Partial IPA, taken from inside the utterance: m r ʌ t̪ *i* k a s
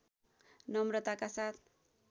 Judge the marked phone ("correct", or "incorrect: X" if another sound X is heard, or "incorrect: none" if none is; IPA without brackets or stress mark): incorrect: a